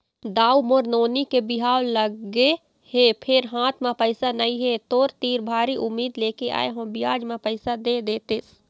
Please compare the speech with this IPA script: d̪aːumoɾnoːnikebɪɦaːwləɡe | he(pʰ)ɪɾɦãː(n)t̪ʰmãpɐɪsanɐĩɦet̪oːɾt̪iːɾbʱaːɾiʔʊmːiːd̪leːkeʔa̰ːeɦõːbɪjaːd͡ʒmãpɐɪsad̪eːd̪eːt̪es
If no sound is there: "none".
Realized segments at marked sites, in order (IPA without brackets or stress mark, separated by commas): pʰ, none